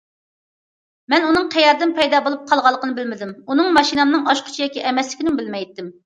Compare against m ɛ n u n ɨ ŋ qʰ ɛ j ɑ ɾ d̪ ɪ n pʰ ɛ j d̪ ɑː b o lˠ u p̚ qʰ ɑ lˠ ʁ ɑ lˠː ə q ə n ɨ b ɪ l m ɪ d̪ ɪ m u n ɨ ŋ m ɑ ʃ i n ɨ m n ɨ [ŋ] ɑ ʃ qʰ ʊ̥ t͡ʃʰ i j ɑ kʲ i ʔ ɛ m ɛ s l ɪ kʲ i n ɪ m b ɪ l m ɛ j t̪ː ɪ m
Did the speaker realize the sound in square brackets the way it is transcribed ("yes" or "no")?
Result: yes